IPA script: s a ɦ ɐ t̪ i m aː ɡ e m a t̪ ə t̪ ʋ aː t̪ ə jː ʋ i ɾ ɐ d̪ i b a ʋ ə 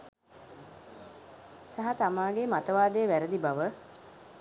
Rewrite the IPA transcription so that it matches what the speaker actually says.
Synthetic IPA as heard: s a ɦ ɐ t̪ a m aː ɡ e m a t̪ ə ʋ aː d̪ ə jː ʋ æ ɾ ə d̪ i b a ʋ ə